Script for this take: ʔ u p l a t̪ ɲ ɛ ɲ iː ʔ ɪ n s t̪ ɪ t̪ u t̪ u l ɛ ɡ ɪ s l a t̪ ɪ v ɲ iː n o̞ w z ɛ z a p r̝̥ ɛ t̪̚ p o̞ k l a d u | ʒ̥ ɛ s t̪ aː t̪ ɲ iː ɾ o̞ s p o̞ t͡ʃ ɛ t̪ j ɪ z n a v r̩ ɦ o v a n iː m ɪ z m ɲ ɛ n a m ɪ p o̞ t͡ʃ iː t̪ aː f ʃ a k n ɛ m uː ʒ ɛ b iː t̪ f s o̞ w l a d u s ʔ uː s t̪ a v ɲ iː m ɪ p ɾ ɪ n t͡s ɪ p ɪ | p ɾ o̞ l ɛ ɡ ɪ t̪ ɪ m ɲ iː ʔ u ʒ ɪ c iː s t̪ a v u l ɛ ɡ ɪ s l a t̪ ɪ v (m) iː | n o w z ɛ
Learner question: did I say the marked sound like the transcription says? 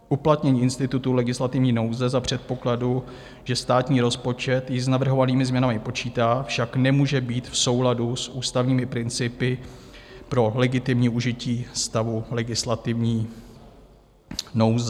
no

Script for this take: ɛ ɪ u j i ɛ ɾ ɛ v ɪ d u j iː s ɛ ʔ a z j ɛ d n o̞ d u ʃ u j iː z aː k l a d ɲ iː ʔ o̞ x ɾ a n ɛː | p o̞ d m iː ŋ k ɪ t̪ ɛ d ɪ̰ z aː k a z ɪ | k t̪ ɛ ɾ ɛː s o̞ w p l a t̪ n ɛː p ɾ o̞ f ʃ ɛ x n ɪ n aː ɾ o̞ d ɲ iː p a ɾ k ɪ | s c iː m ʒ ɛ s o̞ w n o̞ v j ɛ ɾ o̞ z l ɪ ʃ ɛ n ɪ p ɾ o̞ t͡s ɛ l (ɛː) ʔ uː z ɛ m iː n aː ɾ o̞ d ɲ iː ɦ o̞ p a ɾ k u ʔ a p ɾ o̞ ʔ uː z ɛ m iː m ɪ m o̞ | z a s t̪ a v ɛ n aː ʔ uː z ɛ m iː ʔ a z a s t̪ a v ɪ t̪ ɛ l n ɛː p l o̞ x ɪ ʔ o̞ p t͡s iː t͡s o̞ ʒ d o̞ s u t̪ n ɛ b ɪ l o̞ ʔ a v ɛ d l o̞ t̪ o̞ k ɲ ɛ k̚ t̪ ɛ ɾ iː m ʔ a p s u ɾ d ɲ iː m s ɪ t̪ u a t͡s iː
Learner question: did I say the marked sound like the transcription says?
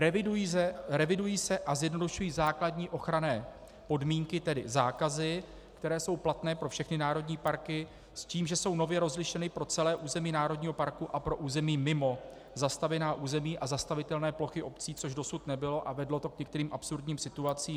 yes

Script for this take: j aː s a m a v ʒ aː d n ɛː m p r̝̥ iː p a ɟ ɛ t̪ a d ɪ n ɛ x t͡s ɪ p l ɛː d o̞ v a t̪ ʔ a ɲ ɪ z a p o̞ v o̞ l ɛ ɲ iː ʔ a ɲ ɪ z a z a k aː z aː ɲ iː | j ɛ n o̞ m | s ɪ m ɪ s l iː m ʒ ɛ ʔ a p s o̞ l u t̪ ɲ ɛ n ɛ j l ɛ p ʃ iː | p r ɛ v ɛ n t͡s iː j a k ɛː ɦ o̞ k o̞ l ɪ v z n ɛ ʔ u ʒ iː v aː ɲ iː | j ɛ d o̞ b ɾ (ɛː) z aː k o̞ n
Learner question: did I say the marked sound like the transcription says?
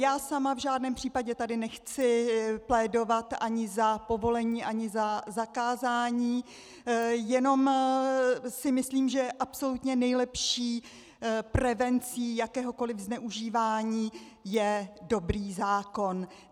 no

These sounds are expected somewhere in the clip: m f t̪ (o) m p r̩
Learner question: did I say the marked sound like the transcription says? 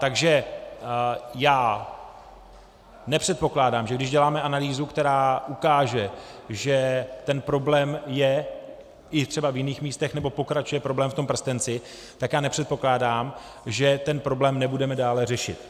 yes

